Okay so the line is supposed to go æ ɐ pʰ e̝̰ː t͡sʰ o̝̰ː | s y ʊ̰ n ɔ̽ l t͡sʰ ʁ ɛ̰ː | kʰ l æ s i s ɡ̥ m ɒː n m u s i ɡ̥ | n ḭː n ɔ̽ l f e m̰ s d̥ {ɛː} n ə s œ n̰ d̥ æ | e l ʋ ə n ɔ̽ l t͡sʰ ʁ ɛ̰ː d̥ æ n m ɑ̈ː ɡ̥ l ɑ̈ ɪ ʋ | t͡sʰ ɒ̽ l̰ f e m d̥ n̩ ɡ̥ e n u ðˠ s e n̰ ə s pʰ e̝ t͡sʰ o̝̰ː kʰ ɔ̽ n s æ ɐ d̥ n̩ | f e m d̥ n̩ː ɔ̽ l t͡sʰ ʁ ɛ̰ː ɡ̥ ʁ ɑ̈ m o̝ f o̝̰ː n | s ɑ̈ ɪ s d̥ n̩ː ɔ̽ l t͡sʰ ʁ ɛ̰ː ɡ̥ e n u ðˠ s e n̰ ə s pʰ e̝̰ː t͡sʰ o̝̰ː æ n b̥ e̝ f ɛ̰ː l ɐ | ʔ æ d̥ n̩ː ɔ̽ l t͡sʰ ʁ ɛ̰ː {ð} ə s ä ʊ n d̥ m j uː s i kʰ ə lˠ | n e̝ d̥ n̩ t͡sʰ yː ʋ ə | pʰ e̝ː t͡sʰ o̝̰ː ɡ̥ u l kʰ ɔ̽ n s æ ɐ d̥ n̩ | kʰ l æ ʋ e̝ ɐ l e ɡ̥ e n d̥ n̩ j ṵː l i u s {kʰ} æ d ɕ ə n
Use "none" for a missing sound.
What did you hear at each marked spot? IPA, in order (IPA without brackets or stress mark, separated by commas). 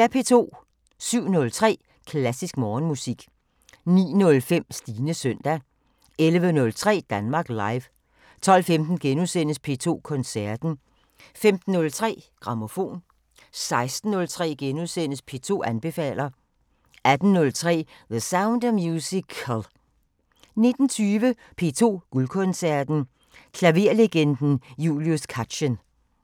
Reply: iː, ð, kʰ